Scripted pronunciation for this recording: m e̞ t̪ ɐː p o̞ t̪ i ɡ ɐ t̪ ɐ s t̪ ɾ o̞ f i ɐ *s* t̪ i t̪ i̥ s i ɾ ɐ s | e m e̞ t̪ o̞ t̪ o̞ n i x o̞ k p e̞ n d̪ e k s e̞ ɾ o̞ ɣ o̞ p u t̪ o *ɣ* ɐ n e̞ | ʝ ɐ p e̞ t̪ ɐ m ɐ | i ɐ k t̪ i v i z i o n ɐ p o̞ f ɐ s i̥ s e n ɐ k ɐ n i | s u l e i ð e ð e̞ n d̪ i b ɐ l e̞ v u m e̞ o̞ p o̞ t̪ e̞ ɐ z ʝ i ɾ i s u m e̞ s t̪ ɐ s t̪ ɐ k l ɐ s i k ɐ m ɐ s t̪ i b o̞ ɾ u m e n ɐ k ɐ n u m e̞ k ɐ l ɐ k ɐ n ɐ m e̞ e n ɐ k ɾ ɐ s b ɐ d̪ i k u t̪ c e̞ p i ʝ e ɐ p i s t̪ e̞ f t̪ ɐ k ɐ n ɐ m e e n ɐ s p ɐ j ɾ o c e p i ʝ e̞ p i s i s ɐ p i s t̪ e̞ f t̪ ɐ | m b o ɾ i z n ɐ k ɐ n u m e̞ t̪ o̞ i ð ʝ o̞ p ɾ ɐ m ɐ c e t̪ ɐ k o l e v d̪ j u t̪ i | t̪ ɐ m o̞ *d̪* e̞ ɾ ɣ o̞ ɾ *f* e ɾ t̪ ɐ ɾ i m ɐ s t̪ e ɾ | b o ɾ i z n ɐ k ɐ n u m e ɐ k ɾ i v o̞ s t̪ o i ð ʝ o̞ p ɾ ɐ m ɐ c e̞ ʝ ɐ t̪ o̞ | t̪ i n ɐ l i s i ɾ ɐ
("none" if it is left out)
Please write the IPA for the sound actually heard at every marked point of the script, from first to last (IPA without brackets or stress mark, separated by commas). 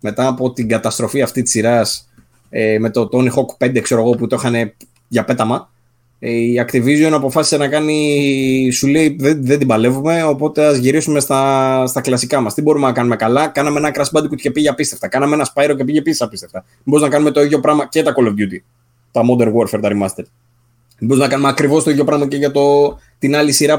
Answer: f, x, d̪, f